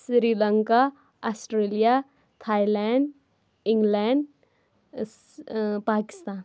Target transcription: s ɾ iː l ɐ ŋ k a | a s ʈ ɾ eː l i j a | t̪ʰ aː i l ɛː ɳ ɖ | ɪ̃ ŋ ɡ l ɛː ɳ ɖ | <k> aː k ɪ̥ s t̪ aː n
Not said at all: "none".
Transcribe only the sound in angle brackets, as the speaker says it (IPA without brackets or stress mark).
p